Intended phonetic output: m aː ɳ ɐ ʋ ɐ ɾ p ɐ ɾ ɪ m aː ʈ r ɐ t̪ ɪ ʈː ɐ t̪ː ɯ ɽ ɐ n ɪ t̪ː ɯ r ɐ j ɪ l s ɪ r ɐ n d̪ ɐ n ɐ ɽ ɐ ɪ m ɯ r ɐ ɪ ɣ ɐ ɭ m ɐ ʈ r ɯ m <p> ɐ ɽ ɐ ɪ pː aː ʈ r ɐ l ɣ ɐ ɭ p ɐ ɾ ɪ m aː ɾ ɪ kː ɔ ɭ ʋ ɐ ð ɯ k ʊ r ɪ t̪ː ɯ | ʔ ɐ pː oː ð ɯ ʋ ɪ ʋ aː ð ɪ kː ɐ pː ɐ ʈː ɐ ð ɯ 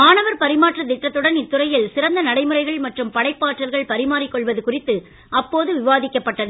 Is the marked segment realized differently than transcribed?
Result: no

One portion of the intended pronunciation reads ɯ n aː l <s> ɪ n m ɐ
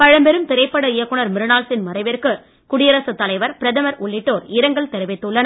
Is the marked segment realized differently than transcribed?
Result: no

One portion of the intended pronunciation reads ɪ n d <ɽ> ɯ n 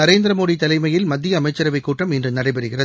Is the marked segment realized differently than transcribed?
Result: yes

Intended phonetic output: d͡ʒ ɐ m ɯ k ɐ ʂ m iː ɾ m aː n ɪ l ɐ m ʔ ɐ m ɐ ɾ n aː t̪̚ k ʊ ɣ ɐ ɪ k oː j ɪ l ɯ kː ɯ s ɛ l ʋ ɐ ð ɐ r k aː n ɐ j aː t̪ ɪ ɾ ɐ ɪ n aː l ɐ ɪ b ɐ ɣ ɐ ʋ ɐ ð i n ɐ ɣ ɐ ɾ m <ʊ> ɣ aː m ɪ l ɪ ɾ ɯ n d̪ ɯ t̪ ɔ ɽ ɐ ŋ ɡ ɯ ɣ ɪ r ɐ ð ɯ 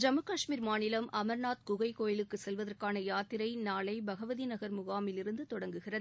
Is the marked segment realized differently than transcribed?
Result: no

